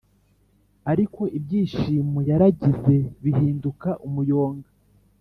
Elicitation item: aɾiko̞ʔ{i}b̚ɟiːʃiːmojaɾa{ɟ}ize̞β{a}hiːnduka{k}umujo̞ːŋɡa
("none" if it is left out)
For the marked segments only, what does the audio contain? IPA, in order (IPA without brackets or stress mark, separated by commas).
i, ɟ, i, ʔ